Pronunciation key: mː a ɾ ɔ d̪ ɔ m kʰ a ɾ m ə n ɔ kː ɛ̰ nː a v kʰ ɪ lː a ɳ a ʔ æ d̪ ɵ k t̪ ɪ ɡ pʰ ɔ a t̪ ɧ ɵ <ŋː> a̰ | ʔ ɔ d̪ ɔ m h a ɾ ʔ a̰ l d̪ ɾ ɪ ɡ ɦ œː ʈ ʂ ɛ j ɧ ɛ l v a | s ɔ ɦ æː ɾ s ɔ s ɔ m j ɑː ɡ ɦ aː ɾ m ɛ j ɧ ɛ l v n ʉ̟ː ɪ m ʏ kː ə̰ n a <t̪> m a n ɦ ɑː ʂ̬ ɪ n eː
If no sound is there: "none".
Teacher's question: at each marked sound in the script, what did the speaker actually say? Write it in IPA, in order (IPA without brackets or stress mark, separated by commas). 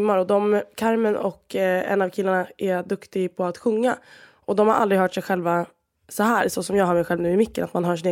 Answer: ŋː, t̪